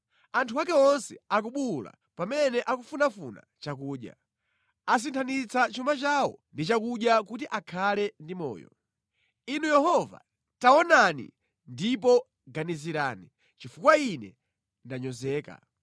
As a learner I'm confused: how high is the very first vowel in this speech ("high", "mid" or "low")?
low